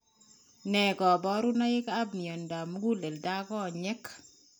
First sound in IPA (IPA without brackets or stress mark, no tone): n